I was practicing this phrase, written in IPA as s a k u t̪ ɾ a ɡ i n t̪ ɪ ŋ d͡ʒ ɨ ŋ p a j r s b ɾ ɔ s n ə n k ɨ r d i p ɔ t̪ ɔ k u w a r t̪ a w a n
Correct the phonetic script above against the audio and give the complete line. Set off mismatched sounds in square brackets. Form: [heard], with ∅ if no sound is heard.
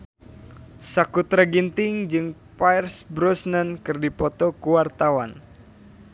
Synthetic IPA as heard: s a k u t̪ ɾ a ɡ i n t̪ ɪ ŋ d͡ʒ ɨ ŋ p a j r s b ɾ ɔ s n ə n k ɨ r d i p ɔ t̪ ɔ k u w a r t̪ a w a n